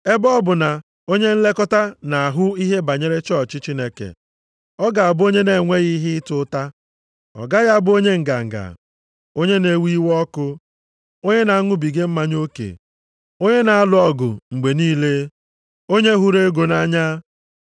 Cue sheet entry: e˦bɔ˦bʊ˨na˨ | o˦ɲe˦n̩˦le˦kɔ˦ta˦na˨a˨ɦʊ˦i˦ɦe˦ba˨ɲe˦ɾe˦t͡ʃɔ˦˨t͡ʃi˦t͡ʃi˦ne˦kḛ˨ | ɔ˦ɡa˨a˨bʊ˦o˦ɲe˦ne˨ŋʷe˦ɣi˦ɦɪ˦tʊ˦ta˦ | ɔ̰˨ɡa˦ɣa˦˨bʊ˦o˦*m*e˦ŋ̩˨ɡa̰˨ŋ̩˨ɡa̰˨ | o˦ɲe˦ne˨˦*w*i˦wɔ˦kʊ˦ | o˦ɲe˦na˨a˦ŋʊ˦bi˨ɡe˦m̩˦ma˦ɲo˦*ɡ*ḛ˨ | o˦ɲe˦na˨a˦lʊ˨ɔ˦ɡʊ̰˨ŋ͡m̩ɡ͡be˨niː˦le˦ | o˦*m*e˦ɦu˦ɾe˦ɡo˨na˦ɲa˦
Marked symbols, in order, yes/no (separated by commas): no, yes, no, no